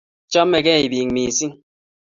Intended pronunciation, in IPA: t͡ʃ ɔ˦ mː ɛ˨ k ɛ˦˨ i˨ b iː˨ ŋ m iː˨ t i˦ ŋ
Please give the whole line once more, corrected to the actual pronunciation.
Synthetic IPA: t͡ʃ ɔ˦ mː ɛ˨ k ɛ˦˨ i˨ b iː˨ ŋ m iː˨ s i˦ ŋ